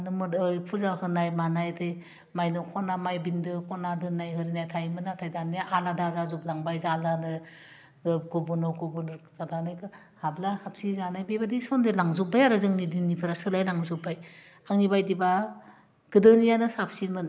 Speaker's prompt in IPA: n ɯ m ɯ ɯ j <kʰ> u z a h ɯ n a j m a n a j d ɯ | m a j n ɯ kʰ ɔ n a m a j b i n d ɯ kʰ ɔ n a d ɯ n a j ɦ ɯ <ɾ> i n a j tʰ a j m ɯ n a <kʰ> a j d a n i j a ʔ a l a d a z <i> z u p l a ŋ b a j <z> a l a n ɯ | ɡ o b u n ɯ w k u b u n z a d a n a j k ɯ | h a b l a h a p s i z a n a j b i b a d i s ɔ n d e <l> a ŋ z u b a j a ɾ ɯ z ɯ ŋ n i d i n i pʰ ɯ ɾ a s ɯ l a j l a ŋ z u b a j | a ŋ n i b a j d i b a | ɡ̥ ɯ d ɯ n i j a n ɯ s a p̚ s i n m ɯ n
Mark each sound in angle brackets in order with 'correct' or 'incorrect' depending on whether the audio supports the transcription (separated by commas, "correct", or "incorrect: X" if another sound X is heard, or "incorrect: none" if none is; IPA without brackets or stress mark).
incorrect: pʰ, correct, incorrect: tʰ, incorrect: a, correct, correct